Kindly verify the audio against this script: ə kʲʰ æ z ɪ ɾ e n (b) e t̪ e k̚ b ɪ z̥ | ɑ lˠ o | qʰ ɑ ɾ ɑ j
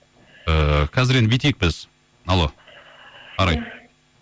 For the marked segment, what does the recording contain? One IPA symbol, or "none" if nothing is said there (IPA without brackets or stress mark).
b